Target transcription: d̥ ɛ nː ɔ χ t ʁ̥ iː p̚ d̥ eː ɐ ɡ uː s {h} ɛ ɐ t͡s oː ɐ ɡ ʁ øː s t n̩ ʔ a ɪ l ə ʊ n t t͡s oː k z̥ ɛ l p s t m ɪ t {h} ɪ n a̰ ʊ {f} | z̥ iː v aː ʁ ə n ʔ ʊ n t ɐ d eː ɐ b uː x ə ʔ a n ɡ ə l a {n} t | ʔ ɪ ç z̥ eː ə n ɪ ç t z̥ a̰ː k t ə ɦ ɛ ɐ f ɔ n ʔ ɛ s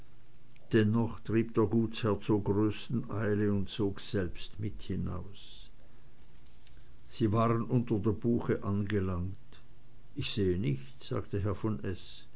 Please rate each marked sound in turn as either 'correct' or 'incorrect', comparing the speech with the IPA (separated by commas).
correct, correct, incorrect, incorrect